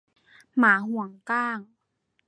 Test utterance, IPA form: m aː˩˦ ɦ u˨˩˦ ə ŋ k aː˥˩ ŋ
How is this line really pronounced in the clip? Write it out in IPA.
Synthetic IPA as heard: m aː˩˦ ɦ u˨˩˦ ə ŋ k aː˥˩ ŋ